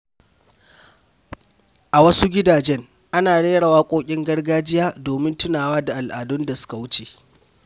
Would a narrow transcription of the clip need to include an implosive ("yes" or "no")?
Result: no